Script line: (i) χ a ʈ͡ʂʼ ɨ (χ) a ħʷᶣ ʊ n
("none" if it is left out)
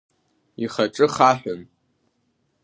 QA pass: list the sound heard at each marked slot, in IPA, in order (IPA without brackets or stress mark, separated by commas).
i, χ